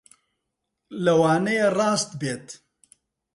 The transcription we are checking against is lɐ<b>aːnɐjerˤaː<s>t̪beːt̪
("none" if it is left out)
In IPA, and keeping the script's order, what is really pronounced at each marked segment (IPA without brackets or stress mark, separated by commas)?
w, s